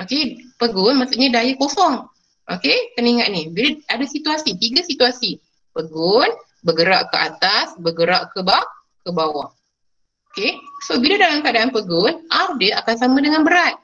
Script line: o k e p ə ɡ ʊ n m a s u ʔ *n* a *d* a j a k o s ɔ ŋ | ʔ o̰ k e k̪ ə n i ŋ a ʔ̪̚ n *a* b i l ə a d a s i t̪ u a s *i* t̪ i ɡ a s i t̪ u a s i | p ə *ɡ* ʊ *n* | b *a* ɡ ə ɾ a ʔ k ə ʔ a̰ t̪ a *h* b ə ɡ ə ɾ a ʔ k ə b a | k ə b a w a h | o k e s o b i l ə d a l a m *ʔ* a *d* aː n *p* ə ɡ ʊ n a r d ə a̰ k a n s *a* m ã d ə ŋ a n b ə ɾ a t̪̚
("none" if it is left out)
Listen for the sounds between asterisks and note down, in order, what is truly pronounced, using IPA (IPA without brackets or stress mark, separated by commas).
ɲ, d, i, i, ɡ, n, ə, s, k, d, p, a